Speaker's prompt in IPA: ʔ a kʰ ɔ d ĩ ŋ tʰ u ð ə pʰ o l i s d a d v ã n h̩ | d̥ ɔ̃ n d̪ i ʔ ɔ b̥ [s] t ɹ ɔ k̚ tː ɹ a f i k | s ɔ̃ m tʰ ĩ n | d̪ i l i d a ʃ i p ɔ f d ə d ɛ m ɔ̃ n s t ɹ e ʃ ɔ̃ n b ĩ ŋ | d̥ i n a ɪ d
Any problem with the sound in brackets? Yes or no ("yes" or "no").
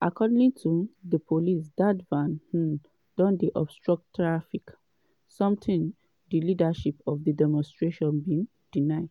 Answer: no